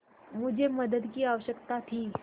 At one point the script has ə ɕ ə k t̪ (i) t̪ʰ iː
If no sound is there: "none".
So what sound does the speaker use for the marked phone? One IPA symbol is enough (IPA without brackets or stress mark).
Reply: a